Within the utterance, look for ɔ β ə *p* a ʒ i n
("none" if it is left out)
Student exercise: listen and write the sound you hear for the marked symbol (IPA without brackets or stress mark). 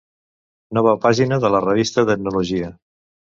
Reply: p